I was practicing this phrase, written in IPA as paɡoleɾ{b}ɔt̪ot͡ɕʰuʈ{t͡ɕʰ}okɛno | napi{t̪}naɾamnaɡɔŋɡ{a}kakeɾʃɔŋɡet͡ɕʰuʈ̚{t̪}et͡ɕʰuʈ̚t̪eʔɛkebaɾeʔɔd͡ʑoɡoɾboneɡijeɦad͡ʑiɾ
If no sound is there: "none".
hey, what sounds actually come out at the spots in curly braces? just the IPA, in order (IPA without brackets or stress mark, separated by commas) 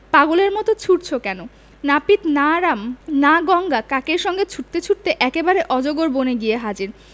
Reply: m, t͡ɕʰ, t̪, a, t̪